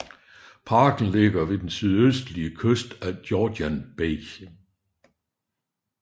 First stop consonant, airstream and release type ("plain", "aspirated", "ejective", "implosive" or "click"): aspirated